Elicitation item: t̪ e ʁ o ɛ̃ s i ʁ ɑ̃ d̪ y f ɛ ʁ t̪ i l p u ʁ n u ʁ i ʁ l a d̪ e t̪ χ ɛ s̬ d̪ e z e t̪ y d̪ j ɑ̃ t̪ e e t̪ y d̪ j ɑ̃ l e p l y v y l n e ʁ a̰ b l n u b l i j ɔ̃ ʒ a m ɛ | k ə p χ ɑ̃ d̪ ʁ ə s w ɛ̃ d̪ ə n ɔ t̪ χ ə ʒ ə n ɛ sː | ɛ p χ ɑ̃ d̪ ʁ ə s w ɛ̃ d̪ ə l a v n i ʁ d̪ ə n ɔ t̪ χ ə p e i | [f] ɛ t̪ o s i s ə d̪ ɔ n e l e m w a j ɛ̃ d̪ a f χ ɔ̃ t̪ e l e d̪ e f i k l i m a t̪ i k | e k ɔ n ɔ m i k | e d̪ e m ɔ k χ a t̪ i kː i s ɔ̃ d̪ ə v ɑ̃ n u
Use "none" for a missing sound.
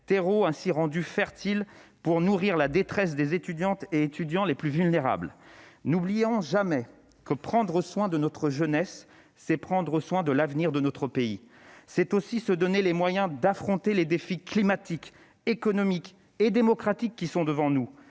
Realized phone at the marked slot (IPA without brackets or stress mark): s